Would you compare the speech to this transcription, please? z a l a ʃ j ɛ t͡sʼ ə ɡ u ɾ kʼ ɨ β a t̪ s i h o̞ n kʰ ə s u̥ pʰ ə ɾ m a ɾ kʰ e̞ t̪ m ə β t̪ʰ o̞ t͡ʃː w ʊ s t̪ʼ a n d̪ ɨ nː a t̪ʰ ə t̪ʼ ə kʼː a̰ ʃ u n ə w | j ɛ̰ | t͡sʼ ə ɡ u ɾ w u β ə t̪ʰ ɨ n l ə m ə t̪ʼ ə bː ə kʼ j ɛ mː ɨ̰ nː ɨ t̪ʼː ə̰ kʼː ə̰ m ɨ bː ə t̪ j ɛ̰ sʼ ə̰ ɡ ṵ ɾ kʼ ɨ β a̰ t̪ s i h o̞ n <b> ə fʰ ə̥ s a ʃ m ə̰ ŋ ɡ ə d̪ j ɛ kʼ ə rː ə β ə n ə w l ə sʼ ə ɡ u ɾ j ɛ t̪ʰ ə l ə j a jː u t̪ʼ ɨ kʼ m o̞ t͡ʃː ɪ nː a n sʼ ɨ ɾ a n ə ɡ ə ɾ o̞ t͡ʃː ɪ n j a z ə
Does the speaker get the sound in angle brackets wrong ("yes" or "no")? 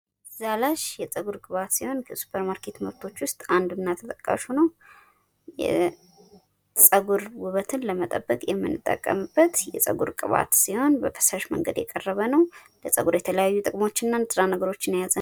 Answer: no